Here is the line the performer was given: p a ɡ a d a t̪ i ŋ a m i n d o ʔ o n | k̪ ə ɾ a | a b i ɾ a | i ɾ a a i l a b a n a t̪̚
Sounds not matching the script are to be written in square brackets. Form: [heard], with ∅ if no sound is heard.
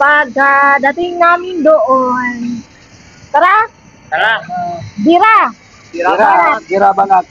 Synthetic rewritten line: p a ɡ a d a t̪ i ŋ a m i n d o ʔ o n | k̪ ə ɾ a | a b i ɾ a | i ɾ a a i [ɾ] a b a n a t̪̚